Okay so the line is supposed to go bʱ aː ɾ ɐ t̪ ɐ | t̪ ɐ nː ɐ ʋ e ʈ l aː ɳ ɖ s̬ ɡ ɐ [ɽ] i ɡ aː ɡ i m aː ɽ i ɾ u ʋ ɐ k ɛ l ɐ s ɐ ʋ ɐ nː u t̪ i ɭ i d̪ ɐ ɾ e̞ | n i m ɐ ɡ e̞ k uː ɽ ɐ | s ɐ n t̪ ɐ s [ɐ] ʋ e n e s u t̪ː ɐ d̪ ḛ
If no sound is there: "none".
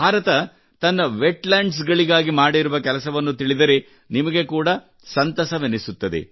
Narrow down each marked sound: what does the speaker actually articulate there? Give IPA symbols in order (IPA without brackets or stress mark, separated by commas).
ɭ, ɐ